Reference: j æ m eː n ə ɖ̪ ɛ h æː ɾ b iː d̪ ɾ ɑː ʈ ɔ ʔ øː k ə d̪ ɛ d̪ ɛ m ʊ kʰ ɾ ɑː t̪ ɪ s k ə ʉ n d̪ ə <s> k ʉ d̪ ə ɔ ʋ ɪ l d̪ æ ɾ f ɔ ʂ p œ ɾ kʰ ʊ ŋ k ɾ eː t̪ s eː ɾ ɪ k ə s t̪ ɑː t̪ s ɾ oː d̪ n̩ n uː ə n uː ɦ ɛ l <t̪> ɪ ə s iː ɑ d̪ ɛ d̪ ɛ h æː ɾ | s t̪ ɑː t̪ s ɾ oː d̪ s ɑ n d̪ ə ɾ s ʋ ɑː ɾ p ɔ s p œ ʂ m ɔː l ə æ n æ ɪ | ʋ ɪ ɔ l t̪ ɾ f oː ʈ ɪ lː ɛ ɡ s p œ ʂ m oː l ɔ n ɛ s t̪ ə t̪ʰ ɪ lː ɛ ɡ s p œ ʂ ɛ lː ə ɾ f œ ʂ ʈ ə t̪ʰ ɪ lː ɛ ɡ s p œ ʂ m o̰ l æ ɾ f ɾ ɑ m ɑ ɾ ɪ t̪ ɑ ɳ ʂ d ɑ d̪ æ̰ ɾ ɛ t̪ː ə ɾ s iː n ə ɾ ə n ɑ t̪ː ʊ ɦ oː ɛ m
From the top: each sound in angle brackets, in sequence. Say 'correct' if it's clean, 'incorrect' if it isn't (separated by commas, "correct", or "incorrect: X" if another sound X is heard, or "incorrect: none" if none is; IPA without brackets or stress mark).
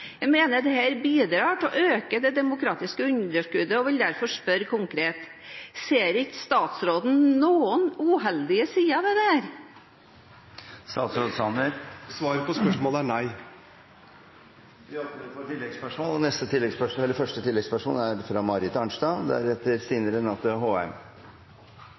incorrect: ʂ, incorrect: d̪